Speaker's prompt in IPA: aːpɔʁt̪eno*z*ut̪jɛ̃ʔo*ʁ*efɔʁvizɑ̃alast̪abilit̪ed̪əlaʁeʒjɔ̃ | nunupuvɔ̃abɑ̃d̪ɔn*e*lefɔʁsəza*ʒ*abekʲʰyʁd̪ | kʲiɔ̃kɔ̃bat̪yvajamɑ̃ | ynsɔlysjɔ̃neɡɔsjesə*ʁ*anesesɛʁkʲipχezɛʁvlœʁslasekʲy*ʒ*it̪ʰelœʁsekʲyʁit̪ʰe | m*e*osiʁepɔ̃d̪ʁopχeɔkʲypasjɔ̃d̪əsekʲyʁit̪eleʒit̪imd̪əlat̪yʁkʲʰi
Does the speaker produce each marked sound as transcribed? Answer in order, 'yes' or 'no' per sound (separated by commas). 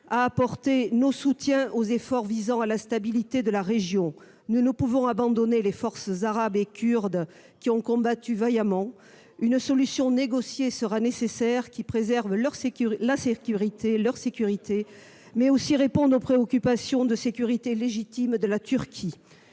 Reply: no, no, yes, no, yes, no, no